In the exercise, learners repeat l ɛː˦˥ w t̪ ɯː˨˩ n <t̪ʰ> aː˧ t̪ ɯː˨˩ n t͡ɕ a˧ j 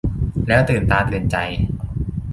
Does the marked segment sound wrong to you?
yes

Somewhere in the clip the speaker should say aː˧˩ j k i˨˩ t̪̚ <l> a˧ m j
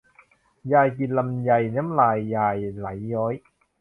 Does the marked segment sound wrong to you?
no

